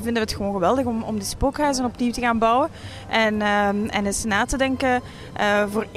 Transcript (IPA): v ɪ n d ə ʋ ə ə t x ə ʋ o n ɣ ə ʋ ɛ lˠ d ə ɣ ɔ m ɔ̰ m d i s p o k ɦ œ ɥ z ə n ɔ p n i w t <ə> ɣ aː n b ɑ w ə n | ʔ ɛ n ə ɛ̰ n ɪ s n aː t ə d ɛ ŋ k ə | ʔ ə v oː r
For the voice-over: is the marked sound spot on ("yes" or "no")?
yes